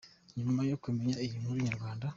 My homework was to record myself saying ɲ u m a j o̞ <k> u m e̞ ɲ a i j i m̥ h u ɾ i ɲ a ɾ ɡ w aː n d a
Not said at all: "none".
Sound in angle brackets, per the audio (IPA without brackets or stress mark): k